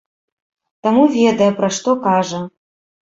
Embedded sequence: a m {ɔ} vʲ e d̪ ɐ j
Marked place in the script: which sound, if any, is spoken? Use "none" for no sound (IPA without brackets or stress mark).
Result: u